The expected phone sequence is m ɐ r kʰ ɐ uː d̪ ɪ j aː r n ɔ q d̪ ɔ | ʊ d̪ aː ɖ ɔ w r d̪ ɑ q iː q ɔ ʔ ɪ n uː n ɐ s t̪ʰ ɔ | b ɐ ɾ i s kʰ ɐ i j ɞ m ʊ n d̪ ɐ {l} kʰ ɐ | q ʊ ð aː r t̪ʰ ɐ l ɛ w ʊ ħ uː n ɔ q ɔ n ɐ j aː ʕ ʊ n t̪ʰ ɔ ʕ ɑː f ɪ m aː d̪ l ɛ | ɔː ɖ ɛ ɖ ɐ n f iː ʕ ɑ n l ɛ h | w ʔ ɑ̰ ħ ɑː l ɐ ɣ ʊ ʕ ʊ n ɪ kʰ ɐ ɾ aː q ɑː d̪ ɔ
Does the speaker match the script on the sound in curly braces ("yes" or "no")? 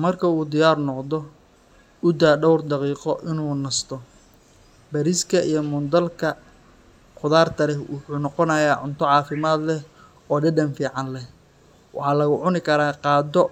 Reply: yes